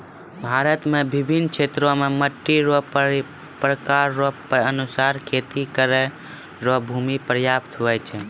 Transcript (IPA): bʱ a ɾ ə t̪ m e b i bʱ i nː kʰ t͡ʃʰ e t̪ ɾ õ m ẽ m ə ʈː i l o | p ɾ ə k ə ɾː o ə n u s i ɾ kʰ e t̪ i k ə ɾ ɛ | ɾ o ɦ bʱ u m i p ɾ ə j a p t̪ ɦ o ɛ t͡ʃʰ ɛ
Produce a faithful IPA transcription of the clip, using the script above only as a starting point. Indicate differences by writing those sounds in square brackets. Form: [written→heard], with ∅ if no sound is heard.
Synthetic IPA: bʱ a ɾ ə t̪ m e b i bʱ i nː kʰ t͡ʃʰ e t̪ ɾ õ m [ẽ→e] m ə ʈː i [l→ɾ] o | p ɾ ə k [ə→a] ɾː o ə n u s [i→a] ɾ kʰ e t̪ i k ə ɾ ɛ | ɾ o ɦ bʱ u m i p ɾ ə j a p t̪ ɦ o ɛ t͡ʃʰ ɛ